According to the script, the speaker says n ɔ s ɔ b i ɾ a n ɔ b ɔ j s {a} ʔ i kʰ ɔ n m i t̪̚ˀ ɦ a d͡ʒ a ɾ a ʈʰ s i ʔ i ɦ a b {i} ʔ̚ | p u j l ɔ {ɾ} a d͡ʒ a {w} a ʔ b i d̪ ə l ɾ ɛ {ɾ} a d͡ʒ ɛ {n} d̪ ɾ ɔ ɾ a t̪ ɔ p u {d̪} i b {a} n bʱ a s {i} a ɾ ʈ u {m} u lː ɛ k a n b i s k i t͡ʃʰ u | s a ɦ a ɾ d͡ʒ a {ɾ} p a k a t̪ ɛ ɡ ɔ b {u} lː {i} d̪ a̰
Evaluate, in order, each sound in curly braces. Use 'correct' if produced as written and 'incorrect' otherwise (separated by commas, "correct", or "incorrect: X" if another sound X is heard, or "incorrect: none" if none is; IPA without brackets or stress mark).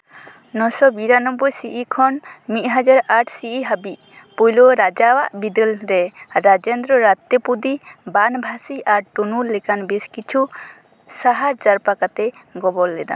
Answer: incorrect: i, correct, correct, correct, correct, correct, correct, correct, correct, incorrect: n, correct, incorrect: ɔ, incorrect: ɛ